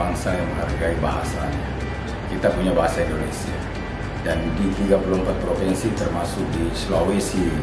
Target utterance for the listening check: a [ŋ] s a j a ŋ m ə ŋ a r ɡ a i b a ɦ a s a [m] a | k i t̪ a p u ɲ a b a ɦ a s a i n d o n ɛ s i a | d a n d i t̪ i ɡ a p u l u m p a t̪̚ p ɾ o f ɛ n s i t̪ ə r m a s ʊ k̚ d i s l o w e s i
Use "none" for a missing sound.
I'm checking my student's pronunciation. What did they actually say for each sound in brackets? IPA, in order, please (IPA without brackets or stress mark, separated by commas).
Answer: ŋ, ɲ